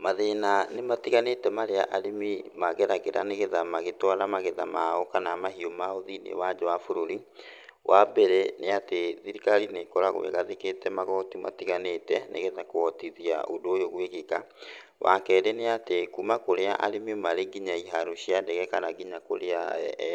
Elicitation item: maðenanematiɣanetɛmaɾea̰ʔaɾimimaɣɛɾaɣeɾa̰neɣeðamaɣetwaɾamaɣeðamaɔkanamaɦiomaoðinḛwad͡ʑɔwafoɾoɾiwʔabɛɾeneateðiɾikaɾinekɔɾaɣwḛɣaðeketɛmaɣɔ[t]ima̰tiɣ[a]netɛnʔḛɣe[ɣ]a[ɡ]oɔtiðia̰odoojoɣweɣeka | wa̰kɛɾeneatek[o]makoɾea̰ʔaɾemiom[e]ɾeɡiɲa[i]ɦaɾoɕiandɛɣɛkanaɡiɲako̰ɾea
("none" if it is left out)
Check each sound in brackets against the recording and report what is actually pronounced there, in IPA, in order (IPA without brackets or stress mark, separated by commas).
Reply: t, a, ð, k, u, a, i